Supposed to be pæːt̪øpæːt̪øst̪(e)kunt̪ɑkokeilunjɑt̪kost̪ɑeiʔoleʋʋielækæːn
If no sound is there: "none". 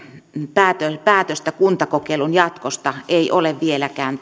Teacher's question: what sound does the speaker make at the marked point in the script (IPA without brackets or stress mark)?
æ